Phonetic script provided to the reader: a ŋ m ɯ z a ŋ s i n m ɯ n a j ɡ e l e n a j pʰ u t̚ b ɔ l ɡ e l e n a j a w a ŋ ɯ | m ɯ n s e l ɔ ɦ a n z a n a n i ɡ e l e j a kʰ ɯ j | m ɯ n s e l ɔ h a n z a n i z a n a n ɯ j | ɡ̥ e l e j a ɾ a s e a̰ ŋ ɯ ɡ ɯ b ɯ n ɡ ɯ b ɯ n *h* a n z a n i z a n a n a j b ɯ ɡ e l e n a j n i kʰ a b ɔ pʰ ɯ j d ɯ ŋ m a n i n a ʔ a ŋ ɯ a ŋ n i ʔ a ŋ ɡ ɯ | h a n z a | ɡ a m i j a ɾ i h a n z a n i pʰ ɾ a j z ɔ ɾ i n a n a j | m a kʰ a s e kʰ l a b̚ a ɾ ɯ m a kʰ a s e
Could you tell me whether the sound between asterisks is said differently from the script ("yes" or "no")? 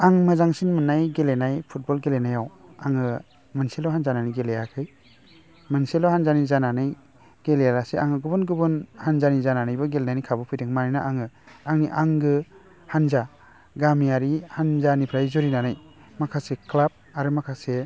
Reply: no